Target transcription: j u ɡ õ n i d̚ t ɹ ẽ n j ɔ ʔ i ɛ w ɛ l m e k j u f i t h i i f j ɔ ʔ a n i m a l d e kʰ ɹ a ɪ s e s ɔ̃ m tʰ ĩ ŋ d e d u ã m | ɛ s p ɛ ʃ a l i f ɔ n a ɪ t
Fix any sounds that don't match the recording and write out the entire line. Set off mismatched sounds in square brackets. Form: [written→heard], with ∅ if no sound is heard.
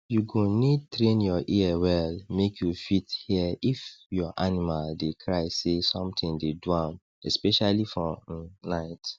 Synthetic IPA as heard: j u ɡ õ n i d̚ t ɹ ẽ n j ɔ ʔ i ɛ w ɛ l m e k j u f i t h i i f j ɔ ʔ a n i m a l d e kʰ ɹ a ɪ s e s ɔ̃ m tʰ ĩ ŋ d e d u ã m | ɛ s p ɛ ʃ a l i f ɔ n a ɪ t